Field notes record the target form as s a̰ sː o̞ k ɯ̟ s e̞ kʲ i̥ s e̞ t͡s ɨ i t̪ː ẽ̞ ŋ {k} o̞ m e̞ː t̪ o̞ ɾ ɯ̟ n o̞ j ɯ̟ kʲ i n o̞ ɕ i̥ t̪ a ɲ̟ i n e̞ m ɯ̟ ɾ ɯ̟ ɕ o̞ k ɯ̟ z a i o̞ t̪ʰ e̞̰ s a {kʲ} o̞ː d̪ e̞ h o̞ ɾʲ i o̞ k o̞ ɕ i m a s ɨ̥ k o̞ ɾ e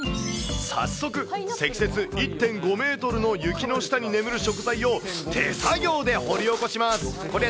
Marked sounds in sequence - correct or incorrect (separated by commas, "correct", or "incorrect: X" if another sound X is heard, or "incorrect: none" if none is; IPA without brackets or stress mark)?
incorrect: ɡ, incorrect: ɡʲ